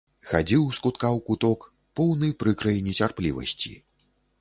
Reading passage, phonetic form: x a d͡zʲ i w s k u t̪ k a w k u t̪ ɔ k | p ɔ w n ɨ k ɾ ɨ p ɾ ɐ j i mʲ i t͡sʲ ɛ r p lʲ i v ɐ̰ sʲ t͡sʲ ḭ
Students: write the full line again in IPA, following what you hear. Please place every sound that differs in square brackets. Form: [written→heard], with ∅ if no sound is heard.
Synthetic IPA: x a d͡zʲ i w s k u t̪ k a w k u t̪ ɔ k | p ɔ w n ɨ [k→p] ɾ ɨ [p→k] ɾ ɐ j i [mʲ→nʲ] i t͡sʲ [ɛ→a] r p lʲ i v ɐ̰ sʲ t͡sʲ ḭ